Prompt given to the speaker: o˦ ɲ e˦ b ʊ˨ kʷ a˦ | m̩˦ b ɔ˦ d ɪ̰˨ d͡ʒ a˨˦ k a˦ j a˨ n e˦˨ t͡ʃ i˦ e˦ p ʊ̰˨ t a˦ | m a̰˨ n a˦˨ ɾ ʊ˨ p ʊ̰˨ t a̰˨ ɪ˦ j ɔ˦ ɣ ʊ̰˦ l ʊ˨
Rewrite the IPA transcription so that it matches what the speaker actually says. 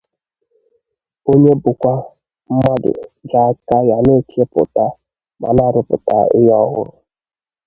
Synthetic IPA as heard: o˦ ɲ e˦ b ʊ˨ kʷ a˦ | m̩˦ m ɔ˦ d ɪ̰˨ d͡ʒ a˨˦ k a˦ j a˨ n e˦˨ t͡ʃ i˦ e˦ p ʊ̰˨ t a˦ | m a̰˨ n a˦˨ ɾ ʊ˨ p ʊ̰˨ t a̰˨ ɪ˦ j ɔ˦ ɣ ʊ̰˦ ɾ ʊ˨

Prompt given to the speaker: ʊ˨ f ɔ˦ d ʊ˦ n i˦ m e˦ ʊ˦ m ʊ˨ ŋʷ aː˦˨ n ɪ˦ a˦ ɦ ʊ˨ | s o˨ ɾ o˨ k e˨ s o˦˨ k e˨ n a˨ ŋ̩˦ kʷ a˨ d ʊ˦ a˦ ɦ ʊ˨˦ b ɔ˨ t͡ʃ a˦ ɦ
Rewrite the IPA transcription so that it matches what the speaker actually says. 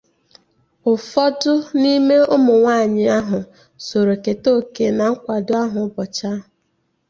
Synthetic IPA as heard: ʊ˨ f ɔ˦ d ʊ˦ n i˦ m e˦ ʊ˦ m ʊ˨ ŋʷ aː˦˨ ɲ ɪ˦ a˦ ɦ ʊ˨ | s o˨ ɾ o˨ k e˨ t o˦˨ k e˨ n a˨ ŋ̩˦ kʷ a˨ d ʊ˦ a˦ ɦ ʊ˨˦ b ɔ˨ t͡ʃ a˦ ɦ

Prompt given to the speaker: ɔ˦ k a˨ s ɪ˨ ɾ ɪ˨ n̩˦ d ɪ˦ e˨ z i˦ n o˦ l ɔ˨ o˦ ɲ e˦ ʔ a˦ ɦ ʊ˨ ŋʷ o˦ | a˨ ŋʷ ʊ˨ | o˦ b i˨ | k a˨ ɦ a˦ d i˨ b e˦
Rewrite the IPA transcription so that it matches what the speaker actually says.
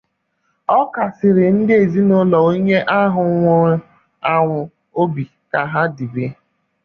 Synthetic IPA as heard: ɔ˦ k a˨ s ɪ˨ ɾ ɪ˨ n̩˦ d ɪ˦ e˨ z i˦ n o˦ l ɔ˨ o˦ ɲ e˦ ʔ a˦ ɦ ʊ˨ ŋʷ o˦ | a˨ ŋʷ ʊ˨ | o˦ b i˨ | k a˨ ɦ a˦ d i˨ b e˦

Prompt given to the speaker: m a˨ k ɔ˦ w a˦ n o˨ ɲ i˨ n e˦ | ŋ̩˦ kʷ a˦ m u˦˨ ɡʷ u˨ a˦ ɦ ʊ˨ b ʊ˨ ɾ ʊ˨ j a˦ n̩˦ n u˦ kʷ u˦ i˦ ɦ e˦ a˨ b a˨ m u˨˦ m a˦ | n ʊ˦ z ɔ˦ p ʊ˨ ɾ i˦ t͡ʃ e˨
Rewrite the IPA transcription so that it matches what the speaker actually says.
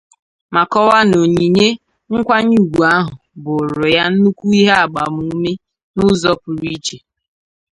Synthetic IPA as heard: m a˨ k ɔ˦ w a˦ n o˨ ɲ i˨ ɲ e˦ | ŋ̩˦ kʷ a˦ ɲ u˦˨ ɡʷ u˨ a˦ ɦ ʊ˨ b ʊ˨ ɾ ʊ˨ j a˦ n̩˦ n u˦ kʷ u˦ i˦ ɦ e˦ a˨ ɡ͡b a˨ m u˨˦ m e˦ | n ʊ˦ z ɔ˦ p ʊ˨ ɾ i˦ t͡ʃ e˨

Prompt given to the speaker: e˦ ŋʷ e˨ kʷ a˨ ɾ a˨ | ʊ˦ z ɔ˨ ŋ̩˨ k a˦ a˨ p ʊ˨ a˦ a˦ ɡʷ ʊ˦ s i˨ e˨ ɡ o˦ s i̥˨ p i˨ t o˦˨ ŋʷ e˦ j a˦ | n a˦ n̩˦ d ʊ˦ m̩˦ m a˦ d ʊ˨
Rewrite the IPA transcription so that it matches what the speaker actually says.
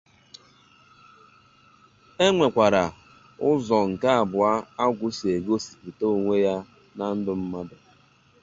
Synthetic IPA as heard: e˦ ŋʷ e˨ kʷ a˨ ɾ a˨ | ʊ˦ z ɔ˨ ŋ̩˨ k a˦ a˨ b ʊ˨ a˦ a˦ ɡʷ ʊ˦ s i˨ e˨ ɡ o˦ s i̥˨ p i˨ t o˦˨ ŋʷ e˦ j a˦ | n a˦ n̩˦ d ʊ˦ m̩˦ m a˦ d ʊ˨

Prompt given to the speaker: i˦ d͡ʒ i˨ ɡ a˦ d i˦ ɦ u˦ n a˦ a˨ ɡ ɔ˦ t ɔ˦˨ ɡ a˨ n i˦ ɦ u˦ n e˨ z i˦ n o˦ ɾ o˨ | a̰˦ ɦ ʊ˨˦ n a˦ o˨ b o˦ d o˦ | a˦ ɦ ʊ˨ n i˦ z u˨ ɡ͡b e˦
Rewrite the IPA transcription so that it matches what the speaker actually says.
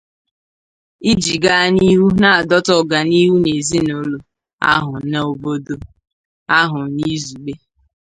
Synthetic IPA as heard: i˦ d͡ʒ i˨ ɡ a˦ n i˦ ɦ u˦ n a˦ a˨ d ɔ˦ t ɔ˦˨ ɡ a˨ n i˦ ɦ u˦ n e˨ z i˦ n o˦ l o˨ | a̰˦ ɦ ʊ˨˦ n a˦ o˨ b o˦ d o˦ | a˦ ɦ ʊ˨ n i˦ z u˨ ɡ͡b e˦

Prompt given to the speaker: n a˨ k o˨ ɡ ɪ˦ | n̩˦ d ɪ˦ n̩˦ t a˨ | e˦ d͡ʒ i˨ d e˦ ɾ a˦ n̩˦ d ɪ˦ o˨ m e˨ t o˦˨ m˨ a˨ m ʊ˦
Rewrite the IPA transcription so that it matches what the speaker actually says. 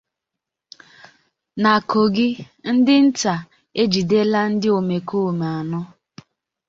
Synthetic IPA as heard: n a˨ k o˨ ɡ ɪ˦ | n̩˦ d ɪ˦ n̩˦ t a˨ | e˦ d͡ʒ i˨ d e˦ l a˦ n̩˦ d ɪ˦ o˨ m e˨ k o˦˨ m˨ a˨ n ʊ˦

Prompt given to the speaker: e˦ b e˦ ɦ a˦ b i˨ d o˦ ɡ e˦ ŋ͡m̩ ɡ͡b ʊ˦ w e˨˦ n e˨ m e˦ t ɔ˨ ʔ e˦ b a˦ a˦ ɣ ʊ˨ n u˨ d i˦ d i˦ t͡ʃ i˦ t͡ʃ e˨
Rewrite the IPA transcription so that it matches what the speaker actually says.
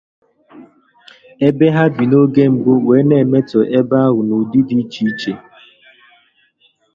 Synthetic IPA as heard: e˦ b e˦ ɦ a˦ b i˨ n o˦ ɡ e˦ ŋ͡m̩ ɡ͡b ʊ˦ w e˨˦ n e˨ m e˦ t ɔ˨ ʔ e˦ b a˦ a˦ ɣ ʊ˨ n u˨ d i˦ d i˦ t͡ʃ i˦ t͡ʃ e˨

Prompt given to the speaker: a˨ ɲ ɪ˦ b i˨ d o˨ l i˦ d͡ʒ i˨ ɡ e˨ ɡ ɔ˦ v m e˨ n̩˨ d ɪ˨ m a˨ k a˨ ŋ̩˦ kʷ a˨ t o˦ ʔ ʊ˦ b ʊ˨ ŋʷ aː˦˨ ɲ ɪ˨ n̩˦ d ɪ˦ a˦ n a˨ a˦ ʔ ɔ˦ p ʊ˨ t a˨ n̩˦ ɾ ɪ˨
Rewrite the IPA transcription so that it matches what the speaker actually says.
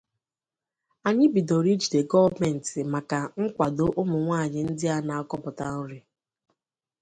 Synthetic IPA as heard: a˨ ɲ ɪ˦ b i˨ d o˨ ɾ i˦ d͡ʒ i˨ d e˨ ɡ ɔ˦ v m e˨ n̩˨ t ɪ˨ m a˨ k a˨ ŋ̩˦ kʷ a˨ d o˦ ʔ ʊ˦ m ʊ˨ ŋʷ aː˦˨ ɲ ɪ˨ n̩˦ d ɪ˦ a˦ n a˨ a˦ k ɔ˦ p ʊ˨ t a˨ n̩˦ ɾ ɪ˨

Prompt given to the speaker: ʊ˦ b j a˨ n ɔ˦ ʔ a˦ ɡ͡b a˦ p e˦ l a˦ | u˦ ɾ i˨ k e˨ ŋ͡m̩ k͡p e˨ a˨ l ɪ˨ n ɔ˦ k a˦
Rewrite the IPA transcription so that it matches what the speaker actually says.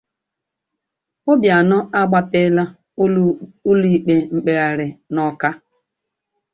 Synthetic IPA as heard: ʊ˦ b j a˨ n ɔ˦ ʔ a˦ ɡ͡b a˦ p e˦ l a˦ | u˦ l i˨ k͡p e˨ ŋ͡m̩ k͡p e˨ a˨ ɾ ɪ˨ n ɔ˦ k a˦

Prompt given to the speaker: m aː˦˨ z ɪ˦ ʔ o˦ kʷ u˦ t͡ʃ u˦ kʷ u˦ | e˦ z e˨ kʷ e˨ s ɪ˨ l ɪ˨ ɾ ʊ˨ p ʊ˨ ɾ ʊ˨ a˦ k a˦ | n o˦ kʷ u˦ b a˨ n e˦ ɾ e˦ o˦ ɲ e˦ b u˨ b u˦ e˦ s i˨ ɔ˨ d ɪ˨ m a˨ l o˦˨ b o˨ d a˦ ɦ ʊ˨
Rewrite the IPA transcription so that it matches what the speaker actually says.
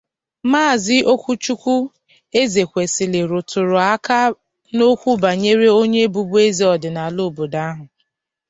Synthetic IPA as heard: m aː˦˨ z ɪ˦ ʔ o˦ kʷ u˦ t͡ʃ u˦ kʷ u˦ | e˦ z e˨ kʷ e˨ s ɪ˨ l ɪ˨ ɾ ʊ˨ t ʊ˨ ɾ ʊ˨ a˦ k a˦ | n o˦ kʷ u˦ b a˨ ɲ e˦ ɾ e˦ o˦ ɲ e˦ b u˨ b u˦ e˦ z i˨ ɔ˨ d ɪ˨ n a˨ l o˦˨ b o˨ d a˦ ɦ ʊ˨

